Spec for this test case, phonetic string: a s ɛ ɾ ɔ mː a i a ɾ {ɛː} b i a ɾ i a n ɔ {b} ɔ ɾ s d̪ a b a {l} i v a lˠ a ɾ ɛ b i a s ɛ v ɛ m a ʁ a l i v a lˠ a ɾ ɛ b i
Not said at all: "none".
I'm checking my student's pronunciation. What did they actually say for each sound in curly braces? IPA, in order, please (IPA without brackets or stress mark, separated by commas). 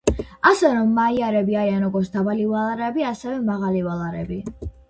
ɛ, ɡ, l